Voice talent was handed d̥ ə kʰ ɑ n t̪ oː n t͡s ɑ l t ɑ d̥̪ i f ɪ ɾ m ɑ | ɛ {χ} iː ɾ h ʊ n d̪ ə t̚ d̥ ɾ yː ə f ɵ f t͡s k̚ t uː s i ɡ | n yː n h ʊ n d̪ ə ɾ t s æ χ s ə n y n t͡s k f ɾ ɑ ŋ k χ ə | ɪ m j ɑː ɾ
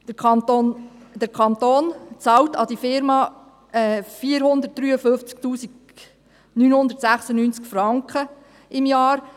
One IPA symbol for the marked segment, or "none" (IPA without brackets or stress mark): f